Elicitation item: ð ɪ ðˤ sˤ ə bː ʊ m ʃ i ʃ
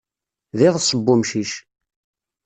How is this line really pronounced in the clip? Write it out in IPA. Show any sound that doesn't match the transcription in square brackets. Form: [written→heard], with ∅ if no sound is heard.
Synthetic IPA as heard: ð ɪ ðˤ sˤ ə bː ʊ m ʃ i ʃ